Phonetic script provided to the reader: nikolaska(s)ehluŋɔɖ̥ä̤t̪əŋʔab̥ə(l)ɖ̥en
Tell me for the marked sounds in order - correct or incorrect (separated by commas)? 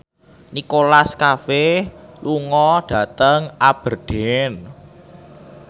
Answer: incorrect, incorrect